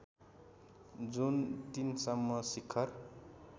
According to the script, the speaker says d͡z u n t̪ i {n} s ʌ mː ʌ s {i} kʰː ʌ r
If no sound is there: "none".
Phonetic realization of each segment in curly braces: n, i

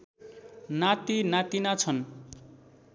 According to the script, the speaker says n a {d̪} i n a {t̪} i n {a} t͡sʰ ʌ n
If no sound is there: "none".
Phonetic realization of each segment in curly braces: t̪, t̪, a

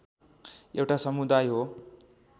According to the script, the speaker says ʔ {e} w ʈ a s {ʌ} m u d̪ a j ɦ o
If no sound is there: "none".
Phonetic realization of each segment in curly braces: e, ʌ

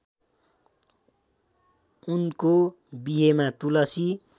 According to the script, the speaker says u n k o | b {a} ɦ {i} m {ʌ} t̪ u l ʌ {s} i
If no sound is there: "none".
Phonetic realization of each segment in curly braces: i, e, a, s

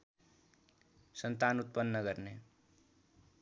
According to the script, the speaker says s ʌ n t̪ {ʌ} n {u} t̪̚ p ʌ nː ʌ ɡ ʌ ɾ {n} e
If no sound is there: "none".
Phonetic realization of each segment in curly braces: a, u, n

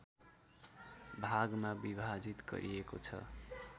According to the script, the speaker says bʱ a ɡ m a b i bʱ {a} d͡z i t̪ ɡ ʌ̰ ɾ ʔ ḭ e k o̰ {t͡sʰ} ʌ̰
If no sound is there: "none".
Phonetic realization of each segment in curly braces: a, t͡sʰ

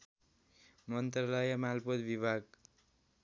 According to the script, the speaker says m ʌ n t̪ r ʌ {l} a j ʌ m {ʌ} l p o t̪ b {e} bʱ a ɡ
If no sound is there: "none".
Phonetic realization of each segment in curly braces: l, a, i

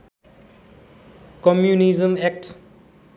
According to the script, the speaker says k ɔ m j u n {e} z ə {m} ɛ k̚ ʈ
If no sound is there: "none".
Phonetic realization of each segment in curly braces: i, m

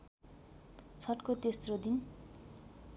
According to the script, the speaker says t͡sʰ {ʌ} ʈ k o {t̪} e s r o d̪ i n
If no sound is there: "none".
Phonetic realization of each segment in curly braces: ʌ, t̪

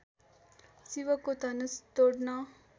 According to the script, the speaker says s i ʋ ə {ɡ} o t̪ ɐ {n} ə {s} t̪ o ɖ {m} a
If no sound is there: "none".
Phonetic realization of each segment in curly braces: k, n, s, n

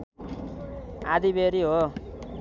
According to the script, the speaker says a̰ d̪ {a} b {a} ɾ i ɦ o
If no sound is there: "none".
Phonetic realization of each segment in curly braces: i, e

